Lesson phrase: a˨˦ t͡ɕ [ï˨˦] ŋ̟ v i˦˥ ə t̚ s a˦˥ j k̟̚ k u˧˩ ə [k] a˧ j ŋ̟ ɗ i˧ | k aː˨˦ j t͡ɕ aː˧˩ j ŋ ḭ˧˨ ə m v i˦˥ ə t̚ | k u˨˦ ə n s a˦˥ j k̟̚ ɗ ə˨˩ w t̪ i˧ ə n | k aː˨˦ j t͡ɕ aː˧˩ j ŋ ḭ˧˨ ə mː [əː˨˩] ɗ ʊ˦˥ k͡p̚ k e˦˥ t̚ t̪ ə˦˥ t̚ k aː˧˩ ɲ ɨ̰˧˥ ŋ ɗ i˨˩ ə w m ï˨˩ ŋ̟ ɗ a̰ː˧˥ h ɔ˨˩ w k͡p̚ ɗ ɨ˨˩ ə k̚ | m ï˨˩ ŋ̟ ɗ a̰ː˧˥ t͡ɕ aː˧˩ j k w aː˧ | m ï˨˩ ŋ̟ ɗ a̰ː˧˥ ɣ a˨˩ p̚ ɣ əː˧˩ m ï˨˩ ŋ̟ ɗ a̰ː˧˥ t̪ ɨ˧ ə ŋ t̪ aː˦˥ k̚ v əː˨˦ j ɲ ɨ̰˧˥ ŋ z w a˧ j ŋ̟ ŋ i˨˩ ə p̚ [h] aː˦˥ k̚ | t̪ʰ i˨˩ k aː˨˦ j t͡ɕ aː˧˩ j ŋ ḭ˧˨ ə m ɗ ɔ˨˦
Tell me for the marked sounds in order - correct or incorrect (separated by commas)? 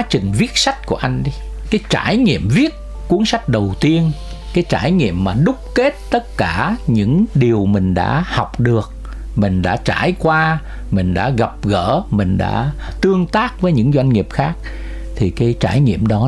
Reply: incorrect, incorrect, incorrect, incorrect